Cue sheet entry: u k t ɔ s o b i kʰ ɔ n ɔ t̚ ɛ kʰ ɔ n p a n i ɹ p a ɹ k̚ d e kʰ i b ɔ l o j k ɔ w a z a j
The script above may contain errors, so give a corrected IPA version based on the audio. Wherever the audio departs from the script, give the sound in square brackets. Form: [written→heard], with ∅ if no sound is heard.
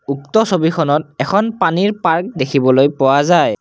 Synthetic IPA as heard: u k t ɔ s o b i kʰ ɔ n ɔ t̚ ɛ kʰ ɔ n p a n i ɹ p a ɹ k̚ d e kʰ i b ɔ l o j [k→p] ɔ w a z a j